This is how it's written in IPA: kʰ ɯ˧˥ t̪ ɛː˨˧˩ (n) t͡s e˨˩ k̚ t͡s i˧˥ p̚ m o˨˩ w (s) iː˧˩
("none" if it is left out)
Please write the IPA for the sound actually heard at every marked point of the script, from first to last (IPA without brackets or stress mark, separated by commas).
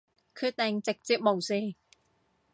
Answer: ŋ, s